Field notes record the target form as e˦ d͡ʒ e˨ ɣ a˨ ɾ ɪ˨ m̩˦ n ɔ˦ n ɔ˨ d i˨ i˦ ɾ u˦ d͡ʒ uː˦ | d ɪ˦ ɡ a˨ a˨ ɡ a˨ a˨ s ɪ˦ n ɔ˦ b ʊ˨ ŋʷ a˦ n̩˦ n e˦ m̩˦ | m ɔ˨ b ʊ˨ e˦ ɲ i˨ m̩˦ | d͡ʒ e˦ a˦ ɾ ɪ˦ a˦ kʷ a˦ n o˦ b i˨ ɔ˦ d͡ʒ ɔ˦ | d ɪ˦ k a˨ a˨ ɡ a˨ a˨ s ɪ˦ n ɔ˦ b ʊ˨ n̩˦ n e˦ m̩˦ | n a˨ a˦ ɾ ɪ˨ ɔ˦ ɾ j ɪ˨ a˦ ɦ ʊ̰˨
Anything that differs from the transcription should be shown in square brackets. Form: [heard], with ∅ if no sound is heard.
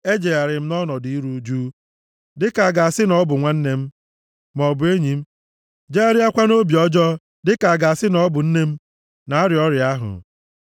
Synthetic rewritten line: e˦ d͡ʒ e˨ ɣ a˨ ɾ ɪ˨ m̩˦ n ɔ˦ n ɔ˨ d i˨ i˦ ɾ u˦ d͡ʒ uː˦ | d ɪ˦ [k] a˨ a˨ ɡ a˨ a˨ s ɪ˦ n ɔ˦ b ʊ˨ ŋʷ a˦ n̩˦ n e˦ m̩˦ | m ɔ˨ b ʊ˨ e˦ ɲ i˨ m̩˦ | d͡ʒ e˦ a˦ ɾ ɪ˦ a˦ kʷ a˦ n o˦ b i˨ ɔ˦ d͡ʒ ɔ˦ | d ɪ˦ k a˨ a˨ ɡ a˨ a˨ s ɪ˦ n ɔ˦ b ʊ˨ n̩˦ n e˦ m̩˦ | n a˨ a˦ ɾ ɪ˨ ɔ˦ ɾ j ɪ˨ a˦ ɦ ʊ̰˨